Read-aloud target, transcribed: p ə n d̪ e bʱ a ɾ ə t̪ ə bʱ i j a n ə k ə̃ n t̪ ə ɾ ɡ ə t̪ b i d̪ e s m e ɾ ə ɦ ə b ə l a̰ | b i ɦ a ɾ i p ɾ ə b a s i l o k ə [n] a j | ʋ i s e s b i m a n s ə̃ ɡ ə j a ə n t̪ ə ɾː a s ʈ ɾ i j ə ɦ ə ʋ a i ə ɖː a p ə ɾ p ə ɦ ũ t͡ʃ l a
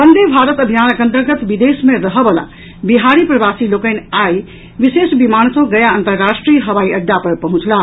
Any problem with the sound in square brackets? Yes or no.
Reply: no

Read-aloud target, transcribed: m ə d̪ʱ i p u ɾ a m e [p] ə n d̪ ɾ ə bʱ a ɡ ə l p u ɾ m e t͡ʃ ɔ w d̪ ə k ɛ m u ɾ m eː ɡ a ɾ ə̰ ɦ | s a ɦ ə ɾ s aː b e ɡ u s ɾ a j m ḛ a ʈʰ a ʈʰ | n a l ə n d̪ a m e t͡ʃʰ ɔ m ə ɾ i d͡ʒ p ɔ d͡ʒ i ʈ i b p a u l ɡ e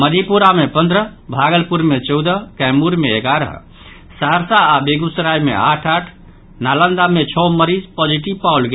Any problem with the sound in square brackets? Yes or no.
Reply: no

